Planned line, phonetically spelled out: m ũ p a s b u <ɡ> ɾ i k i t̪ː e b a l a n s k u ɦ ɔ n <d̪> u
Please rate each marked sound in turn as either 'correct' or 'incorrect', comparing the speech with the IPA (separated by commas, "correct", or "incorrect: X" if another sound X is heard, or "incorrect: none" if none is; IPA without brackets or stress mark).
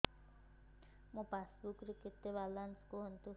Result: incorrect: k, incorrect: t̪